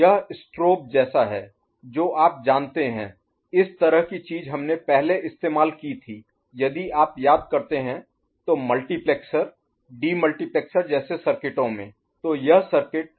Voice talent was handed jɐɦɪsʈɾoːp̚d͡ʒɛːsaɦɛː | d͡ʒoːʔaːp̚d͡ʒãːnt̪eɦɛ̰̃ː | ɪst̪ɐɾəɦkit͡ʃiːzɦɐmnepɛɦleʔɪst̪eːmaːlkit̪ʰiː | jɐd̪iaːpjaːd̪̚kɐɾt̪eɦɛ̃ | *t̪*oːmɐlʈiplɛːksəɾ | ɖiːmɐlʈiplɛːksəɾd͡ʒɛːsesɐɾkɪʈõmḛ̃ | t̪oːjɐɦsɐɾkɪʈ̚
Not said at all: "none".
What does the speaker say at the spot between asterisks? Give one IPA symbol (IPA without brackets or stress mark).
t̪